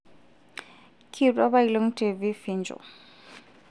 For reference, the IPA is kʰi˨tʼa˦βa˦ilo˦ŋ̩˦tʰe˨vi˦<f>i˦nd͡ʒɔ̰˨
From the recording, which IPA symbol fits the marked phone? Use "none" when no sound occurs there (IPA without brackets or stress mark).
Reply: f